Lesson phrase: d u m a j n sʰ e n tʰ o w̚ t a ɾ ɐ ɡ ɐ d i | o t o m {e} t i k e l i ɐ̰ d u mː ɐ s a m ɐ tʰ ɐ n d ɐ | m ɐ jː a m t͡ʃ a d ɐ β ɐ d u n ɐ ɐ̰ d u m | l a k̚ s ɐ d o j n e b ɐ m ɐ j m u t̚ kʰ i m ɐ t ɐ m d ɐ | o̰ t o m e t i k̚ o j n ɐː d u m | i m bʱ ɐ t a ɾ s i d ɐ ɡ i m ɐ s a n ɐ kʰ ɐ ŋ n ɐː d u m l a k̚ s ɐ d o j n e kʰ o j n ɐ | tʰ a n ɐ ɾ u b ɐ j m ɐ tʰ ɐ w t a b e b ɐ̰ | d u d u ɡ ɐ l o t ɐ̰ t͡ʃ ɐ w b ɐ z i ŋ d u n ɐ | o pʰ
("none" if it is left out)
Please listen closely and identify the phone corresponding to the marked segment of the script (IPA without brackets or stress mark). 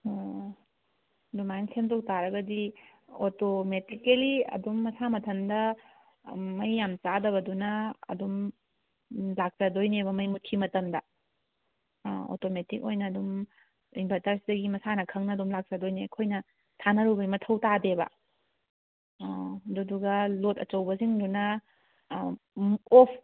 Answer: e